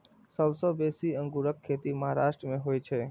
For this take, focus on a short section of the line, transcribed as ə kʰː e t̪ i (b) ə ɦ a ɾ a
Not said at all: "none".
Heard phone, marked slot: m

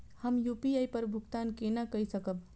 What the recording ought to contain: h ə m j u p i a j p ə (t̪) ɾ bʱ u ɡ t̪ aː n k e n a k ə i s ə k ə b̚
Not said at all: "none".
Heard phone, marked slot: none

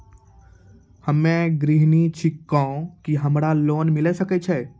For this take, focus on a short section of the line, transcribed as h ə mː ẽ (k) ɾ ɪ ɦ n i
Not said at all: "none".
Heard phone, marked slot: ɡ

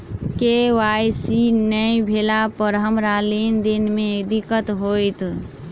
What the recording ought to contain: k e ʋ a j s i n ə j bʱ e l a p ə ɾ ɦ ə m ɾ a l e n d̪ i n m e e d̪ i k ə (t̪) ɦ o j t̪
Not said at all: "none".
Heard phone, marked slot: t̪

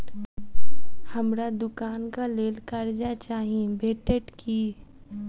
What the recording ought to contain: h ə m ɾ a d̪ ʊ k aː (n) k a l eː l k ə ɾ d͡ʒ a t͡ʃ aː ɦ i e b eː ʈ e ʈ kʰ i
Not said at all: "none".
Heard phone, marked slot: n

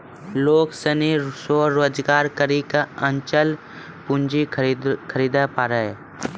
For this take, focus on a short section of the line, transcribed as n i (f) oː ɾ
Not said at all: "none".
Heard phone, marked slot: s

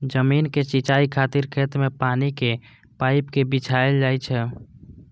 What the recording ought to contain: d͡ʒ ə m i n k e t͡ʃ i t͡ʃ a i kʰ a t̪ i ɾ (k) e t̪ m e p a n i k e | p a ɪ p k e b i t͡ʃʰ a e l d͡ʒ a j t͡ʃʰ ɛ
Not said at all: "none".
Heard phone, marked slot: kʰ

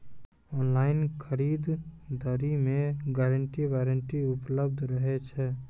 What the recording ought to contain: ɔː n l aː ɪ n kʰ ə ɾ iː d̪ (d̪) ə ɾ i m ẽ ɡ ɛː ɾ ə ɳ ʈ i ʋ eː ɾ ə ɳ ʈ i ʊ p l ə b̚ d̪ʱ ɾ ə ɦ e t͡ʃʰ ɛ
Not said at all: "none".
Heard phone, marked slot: d̪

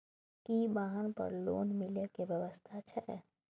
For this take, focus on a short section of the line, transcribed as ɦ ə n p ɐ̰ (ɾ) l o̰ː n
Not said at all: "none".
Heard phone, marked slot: ɾ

